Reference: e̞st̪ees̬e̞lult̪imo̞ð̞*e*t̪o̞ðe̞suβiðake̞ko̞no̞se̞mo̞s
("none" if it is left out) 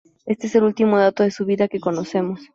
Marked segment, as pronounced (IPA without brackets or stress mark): a